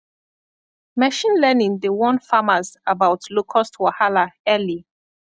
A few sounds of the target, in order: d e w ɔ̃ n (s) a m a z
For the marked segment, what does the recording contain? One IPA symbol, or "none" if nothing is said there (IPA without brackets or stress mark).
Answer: f